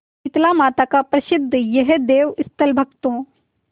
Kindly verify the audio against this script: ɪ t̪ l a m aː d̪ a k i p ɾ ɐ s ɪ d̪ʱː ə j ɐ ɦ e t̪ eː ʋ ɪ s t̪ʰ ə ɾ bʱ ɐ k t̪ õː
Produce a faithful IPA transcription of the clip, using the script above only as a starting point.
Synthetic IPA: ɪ t̪ l a m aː t̪ a k a p ɾ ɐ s ɪ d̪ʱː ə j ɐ ɦ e d̪ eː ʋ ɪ s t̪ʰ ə l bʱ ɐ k t̪ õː